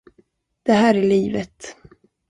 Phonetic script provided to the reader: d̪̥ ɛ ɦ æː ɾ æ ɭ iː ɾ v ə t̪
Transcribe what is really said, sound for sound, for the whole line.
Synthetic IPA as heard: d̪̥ ɛ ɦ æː ɾ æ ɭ iː v ə t̪